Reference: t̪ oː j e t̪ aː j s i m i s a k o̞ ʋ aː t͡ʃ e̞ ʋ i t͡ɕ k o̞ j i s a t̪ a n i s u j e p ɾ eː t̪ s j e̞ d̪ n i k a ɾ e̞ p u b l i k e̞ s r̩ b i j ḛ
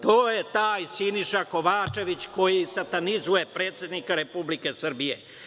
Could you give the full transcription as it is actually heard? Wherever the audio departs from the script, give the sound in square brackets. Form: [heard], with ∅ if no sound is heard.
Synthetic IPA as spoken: t̪ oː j e t̪ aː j s i [n] i [ʃ] a k o̞ ʋ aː t͡ʃ e̞ ʋ i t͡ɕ k o̞ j i s a t̪ a n i [z] u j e p ɾ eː t̪ s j e̞ d̪ n i k a ɾ e̞ p u b l i k e̞ s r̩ b i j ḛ